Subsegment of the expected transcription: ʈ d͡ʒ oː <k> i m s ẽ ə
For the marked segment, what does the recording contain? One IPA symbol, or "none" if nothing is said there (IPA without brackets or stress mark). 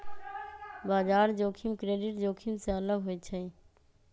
kʰ